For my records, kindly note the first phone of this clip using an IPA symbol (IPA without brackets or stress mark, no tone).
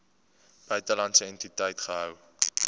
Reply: b̥